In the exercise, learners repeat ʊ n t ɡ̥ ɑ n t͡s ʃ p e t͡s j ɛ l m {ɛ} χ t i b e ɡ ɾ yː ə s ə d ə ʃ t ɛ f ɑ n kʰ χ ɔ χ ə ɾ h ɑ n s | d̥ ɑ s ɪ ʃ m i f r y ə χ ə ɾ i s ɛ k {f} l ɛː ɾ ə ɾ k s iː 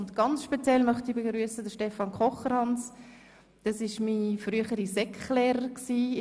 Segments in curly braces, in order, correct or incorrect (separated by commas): incorrect, incorrect